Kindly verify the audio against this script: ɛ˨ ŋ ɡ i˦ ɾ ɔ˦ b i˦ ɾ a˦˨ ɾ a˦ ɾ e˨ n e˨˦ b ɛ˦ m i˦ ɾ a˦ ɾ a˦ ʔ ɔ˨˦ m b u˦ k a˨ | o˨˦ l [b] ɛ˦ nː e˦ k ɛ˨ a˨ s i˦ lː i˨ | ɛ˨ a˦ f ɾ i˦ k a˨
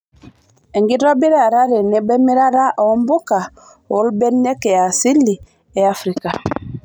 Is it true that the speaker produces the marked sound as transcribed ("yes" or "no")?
yes